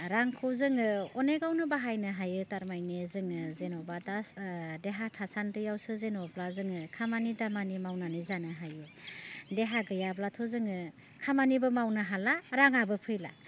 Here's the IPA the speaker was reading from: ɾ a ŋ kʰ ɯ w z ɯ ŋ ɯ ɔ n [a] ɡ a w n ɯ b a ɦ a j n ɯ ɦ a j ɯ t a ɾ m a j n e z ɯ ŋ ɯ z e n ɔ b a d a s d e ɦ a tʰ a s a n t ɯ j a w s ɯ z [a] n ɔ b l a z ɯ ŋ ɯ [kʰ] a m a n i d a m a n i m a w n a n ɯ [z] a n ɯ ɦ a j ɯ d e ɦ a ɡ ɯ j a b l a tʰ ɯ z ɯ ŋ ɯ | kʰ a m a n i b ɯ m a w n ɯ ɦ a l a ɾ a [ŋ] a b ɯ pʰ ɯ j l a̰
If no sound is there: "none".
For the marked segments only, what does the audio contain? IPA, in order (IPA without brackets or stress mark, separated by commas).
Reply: e, e, kʰ, z, ŋ